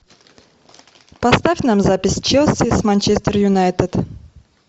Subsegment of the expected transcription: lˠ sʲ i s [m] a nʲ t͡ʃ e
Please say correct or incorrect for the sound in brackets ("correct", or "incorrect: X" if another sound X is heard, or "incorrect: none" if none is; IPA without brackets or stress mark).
correct